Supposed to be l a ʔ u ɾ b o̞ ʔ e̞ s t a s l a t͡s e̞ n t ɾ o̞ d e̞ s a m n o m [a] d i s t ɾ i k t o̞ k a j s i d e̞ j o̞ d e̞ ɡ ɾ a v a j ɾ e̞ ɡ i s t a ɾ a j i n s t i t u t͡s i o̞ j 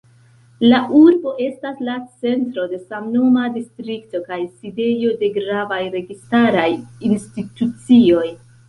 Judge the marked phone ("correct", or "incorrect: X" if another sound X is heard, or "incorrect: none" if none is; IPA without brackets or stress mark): correct